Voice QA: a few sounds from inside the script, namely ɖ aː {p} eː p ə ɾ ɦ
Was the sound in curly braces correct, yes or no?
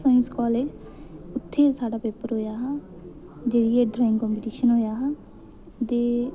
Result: yes